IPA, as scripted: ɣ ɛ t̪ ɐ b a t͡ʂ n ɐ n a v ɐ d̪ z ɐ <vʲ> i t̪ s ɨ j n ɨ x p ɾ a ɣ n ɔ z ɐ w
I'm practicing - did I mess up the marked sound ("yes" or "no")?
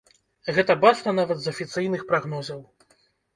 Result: yes